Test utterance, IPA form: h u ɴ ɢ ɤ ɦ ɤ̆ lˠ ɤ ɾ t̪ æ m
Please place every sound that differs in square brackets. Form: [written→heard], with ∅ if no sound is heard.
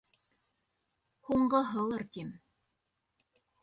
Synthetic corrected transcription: h u ɴ ɢ ɤ ɦ ɤ̆ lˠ ɤ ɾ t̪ [æ→i] m